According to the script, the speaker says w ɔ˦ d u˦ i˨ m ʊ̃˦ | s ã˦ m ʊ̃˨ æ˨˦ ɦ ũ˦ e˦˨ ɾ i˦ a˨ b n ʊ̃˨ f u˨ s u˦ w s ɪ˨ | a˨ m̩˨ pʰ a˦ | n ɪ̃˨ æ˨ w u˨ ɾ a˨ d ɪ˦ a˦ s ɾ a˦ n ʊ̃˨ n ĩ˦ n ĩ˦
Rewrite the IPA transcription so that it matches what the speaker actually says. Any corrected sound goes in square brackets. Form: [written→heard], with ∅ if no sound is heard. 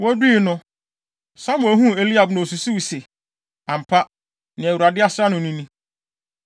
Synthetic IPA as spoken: w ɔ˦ d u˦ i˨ [m→n] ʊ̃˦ | s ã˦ m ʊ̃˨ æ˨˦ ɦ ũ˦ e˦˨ [ɾ→l] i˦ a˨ b n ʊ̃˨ [f→s] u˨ s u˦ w s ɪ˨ | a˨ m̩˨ pʰ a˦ | n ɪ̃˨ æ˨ w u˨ ɾ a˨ d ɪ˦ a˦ s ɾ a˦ n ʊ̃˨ n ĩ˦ n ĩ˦

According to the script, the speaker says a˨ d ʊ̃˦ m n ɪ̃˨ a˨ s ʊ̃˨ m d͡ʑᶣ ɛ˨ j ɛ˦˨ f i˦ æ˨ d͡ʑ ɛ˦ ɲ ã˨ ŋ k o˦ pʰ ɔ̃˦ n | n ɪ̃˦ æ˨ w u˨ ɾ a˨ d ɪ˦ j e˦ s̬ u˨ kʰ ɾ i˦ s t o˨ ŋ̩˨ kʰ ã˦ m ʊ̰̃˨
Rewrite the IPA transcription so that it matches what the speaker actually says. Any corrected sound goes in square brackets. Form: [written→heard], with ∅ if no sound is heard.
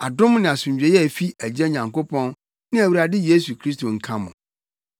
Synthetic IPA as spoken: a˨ d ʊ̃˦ m n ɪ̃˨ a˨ s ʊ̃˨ [m→ɲ] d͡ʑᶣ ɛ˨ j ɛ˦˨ f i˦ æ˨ d͡ʑ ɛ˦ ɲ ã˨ ŋ k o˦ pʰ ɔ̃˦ n | n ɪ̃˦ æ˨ w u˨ ɾ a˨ d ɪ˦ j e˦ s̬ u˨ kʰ ɾ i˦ s t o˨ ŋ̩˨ kʰ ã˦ m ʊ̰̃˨

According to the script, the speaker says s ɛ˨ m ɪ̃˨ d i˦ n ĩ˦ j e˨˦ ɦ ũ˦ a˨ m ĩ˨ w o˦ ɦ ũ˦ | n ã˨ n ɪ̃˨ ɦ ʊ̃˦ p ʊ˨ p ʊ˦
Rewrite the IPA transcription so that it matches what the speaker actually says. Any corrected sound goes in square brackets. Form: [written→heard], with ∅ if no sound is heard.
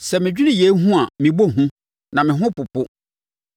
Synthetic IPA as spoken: s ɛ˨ m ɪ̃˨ [d→d͡ʑᶣ] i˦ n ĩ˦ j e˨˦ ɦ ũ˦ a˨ m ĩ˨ [w→b] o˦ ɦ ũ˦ | n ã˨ [n→m] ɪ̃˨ ɦ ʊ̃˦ p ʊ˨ p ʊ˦

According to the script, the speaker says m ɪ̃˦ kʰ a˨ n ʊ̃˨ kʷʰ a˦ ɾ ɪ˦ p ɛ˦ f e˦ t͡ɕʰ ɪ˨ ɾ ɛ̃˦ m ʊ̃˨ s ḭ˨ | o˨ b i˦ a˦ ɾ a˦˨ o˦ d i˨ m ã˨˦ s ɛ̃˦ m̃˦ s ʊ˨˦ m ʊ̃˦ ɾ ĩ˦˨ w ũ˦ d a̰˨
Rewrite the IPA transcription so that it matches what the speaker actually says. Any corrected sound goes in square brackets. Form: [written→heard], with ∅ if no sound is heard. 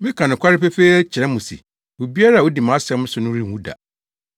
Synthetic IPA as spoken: m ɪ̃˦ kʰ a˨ n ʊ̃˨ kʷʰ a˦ ɾ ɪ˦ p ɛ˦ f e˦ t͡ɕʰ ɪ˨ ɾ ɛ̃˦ m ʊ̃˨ s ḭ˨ | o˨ b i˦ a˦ ɾ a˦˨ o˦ d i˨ m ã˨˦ s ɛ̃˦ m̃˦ s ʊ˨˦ [m→n] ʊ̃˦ ɾ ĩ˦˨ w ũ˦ d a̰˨

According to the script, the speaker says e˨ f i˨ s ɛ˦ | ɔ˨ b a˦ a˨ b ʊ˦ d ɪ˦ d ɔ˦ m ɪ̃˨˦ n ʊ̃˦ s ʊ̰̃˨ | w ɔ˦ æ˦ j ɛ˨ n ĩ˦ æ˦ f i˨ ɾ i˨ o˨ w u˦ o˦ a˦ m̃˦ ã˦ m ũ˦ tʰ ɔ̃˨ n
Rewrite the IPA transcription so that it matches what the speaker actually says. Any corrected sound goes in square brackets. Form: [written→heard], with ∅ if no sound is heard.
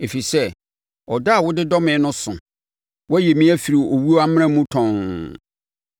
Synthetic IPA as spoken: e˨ f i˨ s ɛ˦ | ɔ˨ [b→d] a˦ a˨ [b→w] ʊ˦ d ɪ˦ d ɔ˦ m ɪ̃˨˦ n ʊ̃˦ s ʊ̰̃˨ | w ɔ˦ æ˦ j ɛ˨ [n→m] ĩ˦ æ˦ f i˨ ɾ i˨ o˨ w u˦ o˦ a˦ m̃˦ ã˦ m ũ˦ tʰ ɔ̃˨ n

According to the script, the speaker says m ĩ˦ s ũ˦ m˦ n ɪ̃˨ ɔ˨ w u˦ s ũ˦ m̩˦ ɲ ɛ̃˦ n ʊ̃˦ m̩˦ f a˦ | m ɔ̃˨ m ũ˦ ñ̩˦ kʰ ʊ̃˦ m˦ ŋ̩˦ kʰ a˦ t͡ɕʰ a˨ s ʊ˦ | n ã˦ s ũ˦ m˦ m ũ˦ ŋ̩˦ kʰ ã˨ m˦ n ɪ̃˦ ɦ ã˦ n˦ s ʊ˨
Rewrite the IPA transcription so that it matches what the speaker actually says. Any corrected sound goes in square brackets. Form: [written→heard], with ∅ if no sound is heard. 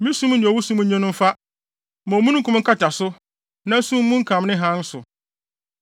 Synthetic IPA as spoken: m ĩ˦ s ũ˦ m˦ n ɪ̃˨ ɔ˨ w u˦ s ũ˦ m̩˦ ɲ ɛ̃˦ n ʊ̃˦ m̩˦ f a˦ | m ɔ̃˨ m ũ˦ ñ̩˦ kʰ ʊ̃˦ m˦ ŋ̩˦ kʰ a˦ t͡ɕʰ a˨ s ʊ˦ | n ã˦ s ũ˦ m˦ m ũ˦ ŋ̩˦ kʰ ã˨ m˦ n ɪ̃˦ ɦ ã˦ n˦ s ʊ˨

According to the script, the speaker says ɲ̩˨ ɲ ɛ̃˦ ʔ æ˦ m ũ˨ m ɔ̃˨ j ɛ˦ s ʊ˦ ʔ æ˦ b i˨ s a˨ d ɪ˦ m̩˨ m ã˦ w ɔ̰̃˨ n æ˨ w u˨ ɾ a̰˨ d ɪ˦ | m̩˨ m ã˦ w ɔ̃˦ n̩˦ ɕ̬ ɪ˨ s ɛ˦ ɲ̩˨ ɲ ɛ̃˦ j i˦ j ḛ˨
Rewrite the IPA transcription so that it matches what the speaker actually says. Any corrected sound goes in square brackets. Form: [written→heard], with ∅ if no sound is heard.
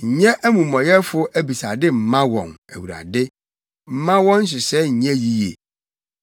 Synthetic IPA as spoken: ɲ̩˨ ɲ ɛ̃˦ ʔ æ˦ m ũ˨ m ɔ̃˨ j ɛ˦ [s→f] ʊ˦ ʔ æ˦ b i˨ s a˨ d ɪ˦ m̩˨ m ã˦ w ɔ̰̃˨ n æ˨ w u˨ ɾ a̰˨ d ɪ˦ | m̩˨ m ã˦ w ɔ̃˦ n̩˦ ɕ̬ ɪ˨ s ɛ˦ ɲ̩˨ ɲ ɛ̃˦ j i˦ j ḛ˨

